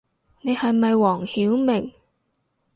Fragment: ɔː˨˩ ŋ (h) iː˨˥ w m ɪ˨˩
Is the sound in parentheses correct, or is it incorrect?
correct